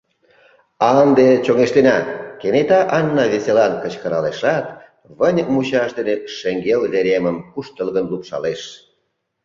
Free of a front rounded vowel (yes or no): yes